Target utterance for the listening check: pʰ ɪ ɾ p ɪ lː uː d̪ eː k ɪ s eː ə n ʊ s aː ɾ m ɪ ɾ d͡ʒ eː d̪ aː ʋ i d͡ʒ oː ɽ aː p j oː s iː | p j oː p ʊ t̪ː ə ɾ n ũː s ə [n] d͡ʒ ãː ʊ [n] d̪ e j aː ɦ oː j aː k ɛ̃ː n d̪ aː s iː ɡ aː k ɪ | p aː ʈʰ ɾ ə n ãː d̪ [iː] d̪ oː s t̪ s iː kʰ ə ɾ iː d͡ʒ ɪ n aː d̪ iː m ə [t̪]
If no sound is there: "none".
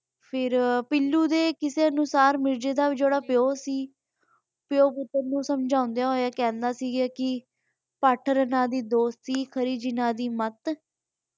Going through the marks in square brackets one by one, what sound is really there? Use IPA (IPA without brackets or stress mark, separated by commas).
m, n, iː, t̪